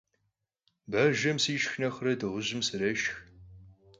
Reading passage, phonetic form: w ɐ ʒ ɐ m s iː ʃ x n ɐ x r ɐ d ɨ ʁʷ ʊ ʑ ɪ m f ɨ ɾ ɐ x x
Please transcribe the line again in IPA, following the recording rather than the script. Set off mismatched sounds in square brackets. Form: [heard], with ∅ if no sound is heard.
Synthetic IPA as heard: [b] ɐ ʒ ɐ m s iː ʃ x n ɐ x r ɐ d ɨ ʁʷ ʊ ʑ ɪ m [s] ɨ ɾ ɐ [ʃ] x